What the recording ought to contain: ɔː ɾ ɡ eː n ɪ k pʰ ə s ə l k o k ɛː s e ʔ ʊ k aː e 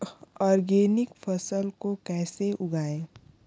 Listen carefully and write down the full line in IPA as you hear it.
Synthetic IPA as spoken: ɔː ɾ ɡ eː n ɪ k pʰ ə s ə l k o k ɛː s e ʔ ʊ ɡ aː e